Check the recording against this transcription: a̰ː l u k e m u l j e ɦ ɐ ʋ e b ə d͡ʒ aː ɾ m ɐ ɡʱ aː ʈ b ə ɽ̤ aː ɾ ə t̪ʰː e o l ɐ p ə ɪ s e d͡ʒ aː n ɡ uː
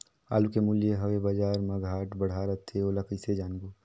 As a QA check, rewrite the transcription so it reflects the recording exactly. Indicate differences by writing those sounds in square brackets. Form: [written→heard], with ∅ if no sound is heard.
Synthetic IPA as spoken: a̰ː l u k e m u l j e ɦ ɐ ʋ e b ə d͡ʒ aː ɾ m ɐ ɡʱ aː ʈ b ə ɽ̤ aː ɾ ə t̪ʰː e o l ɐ [p→k] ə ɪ s e d͡ʒ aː n ɡ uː